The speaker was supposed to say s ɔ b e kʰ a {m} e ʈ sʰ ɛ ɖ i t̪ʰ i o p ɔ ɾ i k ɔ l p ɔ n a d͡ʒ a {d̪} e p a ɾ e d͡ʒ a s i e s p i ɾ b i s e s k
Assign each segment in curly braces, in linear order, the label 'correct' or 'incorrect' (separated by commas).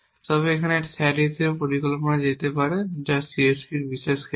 incorrect, incorrect